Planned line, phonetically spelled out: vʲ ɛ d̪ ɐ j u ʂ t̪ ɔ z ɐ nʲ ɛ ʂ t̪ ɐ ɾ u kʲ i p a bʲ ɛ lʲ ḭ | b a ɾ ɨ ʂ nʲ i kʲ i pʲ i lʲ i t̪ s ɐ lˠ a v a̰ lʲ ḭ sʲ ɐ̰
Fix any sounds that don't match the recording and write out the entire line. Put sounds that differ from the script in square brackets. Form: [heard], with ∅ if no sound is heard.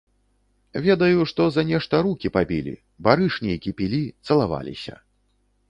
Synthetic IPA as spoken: vʲ ɛ d̪ ɐ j u ʂ t̪ ɔ z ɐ nʲ ɛ ʂ t̪ ɐ ɾ u kʲ i p a bʲ [i] lʲ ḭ | b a ɾ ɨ ʂ nʲ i kʲ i pʲ i lʲ i t̪ s ɐ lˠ a v a̰ lʲ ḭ sʲ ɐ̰